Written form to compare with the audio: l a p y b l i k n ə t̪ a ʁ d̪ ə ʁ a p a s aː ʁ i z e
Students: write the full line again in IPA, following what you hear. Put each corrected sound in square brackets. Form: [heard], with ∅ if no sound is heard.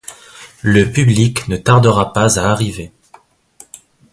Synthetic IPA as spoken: l [ə] p y b l i k n ə t̪ a ʁ d̪ ə ʁ a p a [z] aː ʁ i [v] e